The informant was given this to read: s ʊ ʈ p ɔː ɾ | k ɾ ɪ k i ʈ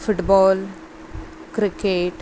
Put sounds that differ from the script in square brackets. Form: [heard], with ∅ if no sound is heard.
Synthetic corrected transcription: [f] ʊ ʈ [b] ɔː [l] | k ɾ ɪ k [e] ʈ